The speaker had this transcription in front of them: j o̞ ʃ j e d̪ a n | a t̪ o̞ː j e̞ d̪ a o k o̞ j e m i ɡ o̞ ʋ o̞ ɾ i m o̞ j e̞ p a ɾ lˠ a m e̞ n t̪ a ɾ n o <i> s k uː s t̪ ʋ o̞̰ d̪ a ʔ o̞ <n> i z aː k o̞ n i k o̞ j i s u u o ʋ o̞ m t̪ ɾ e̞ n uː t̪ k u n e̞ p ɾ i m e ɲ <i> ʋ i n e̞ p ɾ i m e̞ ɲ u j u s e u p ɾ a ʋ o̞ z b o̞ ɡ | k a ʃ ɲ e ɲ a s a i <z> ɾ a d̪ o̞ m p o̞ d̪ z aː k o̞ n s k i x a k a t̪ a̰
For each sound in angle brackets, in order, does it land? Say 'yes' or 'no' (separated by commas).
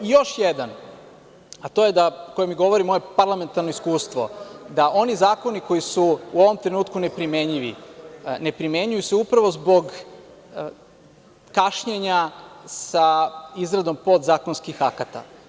yes, yes, yes, yes